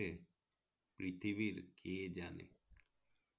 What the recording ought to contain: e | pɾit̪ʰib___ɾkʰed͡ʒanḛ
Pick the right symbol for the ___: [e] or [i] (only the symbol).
i